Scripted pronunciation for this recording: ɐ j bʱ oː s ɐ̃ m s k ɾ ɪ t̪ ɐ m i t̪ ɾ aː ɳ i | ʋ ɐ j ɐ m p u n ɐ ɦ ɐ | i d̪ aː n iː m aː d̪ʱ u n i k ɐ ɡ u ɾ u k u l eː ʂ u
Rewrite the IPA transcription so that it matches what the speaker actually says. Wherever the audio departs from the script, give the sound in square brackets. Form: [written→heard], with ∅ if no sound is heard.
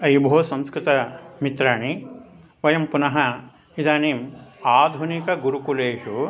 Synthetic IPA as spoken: ɐ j bʱ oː s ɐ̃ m s k ɾ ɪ t̪ ɐ m i t̪ ɾ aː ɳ i | ʋ ɐ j ɐ m p u n ɐ ɦ ɐ | i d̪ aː n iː m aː d̪ʱ u n i k ɐ ɡ u ɾ u k u l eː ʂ u